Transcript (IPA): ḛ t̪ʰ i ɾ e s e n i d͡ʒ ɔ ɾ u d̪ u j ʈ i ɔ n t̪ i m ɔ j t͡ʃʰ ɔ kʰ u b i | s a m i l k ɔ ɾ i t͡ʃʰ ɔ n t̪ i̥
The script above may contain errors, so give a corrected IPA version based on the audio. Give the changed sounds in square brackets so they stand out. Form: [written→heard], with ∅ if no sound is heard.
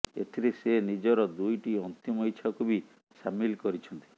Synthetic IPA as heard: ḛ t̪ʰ i ɾ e s e n i d͡ʒ ɔ ɾ [u→ɔ] d̪ u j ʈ i ɔ n t̪ i m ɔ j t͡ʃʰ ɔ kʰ u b i | s a m i l k ɔ ɾ i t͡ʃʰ ɔ n t̪ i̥